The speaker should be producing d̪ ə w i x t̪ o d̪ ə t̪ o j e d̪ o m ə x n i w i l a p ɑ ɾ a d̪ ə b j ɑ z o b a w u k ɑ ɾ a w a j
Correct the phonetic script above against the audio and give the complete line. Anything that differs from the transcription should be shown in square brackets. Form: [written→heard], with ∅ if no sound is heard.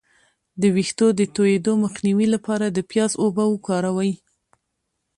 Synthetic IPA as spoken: d̪ ə w i x t̪ o d̪ ə t̪ o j e d̪ o m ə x n i w i l a p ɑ ɾ a d̪ ə [b→p] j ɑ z o b a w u k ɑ ɾ a w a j